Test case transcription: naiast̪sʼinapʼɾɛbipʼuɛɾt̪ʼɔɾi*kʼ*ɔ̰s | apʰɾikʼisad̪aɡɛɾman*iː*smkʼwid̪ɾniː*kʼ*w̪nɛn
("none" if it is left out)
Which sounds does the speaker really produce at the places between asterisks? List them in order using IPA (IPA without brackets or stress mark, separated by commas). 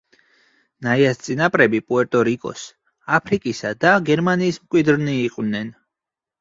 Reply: kʼ, iː, qʼ